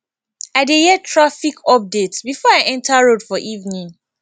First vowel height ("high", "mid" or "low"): low